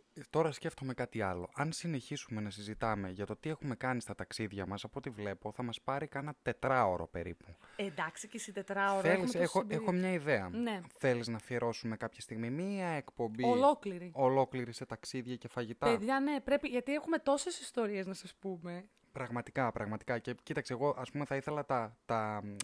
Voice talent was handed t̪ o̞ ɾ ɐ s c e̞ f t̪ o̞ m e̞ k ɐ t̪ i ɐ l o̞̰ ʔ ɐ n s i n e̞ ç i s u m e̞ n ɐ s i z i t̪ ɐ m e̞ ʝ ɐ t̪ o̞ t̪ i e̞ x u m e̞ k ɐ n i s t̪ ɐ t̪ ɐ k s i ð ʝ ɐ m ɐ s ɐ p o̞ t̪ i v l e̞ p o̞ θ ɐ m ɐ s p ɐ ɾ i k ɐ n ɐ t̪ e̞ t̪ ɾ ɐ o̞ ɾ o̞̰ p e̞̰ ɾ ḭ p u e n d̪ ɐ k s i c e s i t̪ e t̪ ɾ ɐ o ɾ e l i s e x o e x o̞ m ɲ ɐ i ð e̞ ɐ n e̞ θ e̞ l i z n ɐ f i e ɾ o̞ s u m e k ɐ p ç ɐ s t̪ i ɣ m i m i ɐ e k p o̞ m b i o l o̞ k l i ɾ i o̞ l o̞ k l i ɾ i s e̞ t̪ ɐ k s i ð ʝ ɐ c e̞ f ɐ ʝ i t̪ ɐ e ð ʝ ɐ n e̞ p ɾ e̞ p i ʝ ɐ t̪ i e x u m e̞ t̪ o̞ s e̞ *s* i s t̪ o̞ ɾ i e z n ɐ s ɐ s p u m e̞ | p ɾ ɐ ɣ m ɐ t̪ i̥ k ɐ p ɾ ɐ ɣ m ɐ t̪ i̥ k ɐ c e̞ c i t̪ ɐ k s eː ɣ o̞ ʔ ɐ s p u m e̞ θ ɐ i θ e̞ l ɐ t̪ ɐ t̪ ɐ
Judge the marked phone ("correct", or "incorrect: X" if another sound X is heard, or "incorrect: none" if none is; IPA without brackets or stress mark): correct